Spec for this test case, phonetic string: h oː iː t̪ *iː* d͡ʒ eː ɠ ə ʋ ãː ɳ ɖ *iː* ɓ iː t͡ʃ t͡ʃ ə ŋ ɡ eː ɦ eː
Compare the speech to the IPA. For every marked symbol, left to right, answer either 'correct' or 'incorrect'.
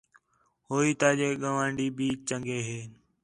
incorrect, correct

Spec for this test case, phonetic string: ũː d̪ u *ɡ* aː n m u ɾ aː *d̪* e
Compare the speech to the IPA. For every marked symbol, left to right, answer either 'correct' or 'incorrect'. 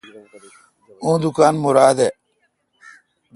incorrect, correct

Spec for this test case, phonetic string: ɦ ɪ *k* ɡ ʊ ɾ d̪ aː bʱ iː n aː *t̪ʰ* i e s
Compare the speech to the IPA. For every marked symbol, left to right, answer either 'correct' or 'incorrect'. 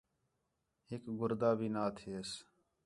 correct, correct

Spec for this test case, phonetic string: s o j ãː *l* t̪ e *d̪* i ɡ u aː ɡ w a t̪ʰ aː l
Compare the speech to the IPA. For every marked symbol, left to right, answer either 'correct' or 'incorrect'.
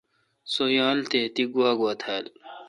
correct, incorrect

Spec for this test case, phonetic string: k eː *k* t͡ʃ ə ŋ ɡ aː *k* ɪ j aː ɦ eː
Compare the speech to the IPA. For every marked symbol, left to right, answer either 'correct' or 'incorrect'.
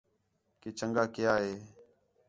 incorrect, correct

